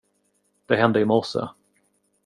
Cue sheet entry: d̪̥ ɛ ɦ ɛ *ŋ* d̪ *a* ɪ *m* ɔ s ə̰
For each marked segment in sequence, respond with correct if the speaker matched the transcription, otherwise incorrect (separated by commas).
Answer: incorrect, incorrect, correct